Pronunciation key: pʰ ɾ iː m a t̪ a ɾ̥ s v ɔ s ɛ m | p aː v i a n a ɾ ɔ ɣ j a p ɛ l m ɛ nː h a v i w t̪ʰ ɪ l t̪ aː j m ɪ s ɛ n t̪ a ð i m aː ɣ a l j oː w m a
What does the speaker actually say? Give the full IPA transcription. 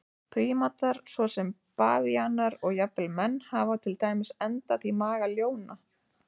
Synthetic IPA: pʰ ɾ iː m a t̪ a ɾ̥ s v ɔ s ɛ m | p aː v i a n a ɾ ɔ ɣ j a p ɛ l m ɛ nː h a v a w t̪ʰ ɪ l t̪ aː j m ɪ s ɛ n t̪ a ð i m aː ɣ a l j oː w n a